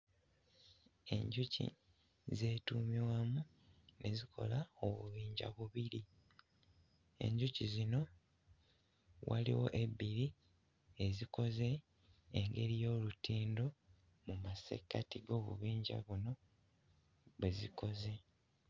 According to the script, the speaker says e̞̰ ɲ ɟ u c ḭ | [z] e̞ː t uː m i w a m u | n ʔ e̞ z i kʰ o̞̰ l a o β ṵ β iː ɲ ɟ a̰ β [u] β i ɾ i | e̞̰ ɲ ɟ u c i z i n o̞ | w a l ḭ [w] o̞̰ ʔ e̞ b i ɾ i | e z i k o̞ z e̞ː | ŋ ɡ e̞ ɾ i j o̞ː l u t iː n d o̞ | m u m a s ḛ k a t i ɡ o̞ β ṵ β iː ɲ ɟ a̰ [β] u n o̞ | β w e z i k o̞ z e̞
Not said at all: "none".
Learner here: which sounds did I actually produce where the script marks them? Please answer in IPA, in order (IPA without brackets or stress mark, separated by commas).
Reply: z, u, w, β